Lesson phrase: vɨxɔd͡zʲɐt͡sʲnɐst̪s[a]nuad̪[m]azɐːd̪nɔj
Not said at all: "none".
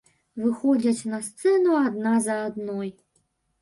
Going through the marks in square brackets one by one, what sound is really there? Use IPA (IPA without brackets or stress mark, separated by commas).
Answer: ɛ, n